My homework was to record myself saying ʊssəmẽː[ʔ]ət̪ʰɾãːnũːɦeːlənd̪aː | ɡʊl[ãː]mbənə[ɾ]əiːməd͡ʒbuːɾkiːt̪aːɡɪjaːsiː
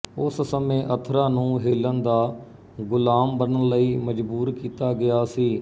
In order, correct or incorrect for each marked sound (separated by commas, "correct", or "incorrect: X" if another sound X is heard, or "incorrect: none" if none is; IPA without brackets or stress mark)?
correct, incorrect: aː, incorrect: l